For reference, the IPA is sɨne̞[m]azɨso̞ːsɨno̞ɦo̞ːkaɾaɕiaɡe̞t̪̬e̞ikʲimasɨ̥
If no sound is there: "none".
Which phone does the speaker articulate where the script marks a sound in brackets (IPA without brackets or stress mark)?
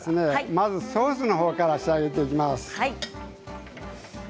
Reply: m